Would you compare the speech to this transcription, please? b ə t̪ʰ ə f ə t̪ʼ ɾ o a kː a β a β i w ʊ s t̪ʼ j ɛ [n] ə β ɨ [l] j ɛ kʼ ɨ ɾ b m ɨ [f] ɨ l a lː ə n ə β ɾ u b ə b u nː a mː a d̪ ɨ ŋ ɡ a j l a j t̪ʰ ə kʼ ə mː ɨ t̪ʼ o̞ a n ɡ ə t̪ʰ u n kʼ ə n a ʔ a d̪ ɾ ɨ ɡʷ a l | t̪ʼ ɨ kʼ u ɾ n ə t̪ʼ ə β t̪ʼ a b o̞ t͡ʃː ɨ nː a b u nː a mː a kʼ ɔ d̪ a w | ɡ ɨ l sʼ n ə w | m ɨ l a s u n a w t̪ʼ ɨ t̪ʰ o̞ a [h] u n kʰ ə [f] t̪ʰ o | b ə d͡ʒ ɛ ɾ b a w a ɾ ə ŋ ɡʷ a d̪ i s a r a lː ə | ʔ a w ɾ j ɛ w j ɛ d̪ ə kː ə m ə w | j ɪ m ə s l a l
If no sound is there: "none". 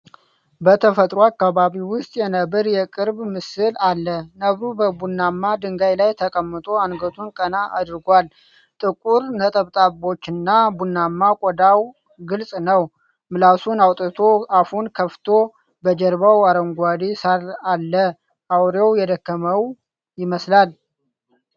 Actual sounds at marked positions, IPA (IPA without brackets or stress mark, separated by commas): n, ɾ, s, f, f